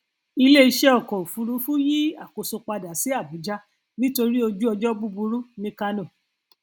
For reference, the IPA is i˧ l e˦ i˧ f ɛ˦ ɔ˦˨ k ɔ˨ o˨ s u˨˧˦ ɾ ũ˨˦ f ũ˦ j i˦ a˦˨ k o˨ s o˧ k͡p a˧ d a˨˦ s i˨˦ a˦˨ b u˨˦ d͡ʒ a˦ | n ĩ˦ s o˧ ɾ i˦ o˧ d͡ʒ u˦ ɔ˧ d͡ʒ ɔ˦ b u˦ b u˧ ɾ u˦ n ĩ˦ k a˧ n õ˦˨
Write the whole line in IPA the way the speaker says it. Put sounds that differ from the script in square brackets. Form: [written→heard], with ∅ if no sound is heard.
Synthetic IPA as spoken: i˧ l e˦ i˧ [f→ʃ] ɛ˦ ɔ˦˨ k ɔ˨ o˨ [s→f] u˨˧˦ ɾ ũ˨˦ f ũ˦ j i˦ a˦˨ k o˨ s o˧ k͡p a˧ d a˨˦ s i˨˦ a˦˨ b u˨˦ d͡ʒ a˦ | n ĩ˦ [s→t] o˧ ɾ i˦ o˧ d͡ʒ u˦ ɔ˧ d͡ʒ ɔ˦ b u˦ b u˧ ɾ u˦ n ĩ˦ k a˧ n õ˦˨